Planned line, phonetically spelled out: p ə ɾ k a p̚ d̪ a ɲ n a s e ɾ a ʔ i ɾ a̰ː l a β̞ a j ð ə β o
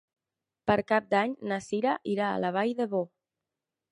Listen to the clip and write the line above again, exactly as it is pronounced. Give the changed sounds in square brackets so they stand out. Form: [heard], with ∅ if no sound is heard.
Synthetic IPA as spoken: p ə ɾ k a p̚ d̪ a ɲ n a s [i] ɾ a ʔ i ɾ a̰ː l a β̞ a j ð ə β o